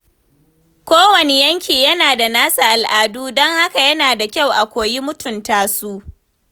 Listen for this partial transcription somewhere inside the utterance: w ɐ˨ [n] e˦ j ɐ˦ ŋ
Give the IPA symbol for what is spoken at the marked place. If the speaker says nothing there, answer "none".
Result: n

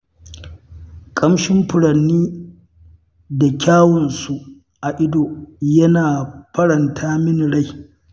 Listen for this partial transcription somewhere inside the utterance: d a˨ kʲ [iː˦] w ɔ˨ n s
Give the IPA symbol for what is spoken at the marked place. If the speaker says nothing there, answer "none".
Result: aː˦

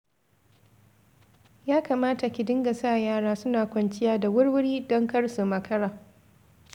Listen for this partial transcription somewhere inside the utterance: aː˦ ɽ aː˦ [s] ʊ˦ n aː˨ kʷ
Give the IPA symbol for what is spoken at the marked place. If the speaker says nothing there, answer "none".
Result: s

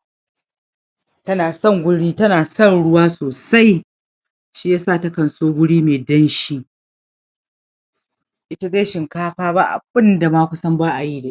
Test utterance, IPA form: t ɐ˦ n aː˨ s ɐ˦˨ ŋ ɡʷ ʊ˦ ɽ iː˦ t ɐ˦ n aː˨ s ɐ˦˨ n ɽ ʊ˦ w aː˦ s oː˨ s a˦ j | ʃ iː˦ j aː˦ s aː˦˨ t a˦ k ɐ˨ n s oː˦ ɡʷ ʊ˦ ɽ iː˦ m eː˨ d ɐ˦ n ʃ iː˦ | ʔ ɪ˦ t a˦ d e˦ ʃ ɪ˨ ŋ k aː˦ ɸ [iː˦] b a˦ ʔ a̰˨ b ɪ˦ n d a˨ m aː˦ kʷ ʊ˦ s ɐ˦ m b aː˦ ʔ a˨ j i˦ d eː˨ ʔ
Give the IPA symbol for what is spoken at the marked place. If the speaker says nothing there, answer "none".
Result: aː˦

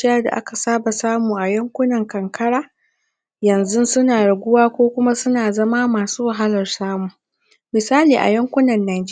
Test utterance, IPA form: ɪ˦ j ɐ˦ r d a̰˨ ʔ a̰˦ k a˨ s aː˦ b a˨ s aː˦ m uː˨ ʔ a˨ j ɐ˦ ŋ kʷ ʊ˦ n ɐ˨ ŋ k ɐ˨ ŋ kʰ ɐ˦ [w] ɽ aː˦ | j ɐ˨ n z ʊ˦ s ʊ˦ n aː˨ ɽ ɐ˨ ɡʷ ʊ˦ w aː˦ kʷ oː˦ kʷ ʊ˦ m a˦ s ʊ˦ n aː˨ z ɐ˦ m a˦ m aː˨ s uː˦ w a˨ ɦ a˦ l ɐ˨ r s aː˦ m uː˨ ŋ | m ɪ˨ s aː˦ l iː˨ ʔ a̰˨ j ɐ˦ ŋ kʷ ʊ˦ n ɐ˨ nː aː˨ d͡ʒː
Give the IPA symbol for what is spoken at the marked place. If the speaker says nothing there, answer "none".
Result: none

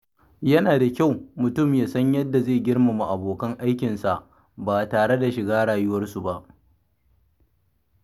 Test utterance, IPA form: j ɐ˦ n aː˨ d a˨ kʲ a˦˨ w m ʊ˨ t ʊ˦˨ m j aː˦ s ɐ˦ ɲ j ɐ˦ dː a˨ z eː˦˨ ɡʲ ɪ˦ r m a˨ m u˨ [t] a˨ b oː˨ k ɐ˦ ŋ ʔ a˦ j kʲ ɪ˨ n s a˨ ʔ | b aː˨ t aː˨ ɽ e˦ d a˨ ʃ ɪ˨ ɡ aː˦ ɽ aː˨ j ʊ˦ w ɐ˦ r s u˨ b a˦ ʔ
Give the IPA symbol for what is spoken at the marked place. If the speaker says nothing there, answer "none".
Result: ʔ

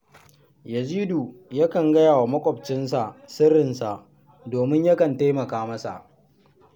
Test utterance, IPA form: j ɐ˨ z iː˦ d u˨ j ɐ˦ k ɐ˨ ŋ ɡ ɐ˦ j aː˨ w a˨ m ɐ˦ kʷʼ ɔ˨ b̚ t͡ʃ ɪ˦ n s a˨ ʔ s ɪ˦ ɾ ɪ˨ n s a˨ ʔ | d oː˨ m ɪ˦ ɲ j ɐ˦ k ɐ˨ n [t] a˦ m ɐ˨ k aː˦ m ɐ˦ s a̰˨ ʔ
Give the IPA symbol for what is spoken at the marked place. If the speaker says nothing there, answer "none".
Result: t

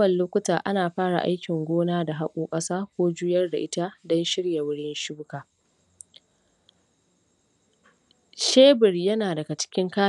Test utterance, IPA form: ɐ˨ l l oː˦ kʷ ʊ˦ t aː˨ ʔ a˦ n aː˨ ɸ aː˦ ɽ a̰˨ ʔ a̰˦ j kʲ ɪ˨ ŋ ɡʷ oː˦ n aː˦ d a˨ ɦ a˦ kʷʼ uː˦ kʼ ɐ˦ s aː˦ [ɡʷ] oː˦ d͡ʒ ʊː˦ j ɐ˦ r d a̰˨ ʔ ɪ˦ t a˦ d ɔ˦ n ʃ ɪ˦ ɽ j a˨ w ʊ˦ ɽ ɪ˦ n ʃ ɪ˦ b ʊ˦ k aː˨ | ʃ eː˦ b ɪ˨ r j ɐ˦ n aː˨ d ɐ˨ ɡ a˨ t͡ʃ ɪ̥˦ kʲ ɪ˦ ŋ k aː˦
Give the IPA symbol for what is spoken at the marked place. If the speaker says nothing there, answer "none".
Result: kʷ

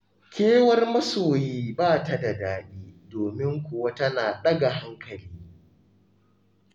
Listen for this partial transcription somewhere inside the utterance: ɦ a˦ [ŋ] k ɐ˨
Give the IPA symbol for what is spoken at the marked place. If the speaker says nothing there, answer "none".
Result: ŋ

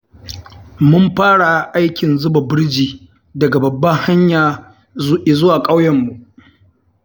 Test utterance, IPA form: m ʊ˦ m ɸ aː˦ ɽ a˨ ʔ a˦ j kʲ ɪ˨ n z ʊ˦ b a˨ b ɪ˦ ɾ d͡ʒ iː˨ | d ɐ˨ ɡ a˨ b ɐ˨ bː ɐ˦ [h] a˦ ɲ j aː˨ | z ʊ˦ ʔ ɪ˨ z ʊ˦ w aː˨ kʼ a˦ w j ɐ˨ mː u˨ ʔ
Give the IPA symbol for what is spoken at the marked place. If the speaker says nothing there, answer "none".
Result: h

